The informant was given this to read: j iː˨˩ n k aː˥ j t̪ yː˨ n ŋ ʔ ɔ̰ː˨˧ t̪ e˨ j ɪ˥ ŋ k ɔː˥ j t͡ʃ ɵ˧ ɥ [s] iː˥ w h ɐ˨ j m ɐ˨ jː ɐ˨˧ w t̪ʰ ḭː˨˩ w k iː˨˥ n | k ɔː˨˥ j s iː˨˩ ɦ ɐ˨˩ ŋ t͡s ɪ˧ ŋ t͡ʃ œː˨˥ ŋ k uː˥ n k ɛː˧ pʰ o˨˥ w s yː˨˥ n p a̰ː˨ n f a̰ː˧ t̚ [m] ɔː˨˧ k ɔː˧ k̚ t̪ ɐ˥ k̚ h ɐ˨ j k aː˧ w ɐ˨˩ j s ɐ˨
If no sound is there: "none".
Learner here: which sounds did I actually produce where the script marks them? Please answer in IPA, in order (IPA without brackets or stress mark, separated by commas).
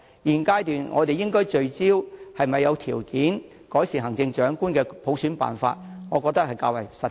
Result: t͡s, ŋ